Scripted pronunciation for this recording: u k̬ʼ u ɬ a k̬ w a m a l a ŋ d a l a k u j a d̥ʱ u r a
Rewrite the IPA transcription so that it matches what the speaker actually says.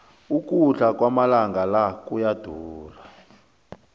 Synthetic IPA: u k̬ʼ u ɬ a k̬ w a m a l a ŋ ɡ a l a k u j a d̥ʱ uː r a